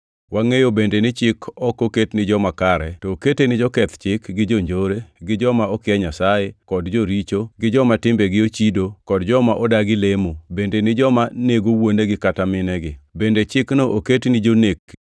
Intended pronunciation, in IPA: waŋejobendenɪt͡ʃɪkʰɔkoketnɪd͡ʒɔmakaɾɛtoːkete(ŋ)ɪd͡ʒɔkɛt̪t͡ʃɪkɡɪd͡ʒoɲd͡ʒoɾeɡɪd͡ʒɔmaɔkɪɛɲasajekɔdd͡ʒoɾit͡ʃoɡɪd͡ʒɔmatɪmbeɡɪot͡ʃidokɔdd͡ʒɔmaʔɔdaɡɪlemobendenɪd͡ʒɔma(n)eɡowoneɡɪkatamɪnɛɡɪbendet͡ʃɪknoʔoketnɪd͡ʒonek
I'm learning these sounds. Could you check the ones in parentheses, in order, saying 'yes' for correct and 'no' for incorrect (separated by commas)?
no, yes